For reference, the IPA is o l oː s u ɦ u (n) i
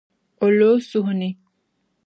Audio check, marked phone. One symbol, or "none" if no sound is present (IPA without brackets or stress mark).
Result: n